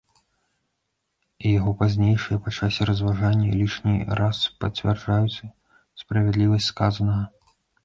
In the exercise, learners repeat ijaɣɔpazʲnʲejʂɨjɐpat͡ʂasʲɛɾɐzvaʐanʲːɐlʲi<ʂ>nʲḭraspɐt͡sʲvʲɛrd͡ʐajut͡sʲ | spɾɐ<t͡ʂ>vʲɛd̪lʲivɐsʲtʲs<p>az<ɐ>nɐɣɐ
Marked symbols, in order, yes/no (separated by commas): yes, no, no, yes